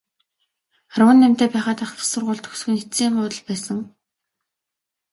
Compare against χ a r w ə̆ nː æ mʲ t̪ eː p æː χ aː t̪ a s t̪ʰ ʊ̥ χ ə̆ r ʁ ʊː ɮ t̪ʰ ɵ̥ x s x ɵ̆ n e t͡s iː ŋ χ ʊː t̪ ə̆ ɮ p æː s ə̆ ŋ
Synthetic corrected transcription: χ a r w ə̆ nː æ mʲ t̪ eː p æː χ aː t̪ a χ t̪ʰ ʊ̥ s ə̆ r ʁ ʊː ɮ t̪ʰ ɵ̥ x s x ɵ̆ n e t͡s iː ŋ χ ʊː t̪ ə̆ ɮ p æː s ə̆ ŋ